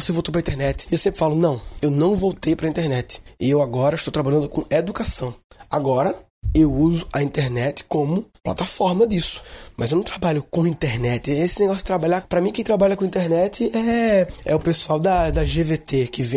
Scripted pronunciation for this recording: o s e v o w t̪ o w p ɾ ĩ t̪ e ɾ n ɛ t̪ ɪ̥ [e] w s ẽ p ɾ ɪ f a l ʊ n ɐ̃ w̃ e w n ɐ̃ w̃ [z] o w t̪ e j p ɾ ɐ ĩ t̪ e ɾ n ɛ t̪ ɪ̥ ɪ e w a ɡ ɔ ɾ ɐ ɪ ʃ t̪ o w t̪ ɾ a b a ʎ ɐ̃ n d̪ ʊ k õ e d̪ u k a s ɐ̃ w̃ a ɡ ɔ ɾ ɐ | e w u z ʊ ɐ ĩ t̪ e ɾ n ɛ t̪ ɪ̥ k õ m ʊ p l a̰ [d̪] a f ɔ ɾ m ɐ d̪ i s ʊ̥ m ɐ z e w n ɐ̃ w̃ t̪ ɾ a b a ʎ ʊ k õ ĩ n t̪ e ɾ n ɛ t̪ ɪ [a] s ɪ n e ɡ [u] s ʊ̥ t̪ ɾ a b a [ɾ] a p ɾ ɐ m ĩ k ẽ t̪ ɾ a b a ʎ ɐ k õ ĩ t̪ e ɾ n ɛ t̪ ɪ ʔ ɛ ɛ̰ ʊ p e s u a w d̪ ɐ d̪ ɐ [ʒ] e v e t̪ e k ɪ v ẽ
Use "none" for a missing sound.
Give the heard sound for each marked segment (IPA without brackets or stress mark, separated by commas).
e, v, t̪, e, ɔ, ʎ, ʒ